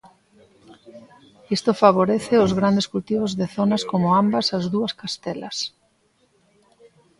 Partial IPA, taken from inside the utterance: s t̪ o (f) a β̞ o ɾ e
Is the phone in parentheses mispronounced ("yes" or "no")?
no